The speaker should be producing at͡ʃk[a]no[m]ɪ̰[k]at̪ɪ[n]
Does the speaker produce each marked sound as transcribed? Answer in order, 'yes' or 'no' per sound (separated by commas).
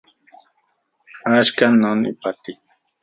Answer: yes, no, no, no